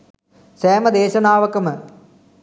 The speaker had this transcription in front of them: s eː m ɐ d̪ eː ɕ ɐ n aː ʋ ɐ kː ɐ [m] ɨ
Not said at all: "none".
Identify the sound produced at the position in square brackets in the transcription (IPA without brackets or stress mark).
m